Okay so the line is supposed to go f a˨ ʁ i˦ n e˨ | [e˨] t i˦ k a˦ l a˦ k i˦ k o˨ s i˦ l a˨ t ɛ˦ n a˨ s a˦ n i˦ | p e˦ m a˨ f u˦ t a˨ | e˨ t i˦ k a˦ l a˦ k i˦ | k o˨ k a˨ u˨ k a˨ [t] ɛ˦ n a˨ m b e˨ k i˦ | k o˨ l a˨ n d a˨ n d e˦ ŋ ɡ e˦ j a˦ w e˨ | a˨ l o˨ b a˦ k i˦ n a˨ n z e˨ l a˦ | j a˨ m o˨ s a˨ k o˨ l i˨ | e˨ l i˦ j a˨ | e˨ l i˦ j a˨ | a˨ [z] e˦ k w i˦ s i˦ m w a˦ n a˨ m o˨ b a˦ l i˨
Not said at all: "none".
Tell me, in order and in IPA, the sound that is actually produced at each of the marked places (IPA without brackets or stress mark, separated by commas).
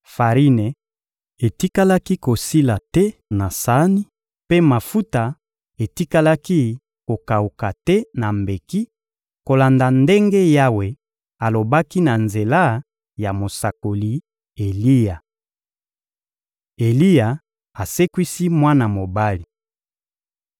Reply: e˨, t, s